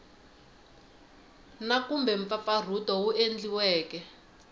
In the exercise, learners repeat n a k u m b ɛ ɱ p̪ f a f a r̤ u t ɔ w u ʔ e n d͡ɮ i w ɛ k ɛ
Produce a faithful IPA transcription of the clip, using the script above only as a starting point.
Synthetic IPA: n a k u m b ɛ ɱ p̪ f a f a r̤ u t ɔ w u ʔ e n d͡ɮ i w ɛː k ɛ